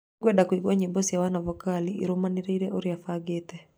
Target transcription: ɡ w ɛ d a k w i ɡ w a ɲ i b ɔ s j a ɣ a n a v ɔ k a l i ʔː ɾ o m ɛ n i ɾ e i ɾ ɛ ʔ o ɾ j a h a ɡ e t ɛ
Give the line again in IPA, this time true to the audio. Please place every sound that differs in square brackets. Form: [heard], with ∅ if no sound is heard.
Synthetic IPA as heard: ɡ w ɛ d a k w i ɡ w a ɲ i b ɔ s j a [w] a n a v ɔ k a l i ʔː ɾ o m [a] n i ɾ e i ɾ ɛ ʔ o ɾ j a [f] a ɡ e t ɛ